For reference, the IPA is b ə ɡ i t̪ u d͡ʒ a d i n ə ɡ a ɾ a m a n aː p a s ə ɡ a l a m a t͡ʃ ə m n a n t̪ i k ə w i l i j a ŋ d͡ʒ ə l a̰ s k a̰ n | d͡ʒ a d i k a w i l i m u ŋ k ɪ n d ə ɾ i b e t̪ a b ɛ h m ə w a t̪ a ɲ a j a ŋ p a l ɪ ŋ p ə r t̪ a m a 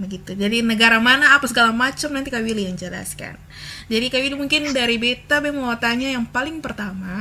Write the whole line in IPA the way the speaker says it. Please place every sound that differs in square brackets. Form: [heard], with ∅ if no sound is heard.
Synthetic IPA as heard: b ə ɡ i t̪ u d͡ʒ a d i n ə ɡ a ɾ a m a n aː p a s ə ɡ a l a m a t͡ʃ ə m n a n t̪ i k [a] w i l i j a ŋ d͡ʒ ə l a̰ s k a̰ n | d͡ʒ a d i k a w i l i m u ŋ k ɪ n d [a] ɾ i b e t̪ a b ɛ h m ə w a t̪ a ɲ a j a ŋ p a l ɪ ŋ p ə r t̪ a m a